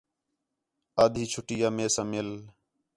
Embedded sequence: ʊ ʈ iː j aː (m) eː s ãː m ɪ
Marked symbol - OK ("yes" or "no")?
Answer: yes